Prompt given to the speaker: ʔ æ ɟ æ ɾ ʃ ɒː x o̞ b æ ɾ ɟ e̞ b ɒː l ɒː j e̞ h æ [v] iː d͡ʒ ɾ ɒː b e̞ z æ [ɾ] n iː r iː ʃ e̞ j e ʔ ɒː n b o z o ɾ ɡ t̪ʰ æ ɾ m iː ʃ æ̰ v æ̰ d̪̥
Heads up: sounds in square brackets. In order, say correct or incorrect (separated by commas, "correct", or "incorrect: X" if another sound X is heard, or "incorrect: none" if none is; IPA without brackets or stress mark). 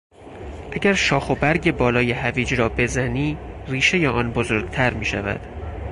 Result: correct, incorrect: none